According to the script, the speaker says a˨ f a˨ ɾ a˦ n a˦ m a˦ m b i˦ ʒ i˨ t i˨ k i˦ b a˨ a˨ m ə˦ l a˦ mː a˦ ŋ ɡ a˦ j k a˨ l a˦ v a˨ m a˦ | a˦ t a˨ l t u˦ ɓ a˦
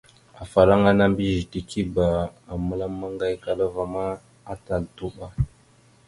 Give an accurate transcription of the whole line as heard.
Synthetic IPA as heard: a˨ f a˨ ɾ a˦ ŋ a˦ n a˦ m b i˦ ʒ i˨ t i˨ k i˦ b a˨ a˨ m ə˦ l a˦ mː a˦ ŋ ɡ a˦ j k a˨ l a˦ v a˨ m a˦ | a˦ t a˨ l t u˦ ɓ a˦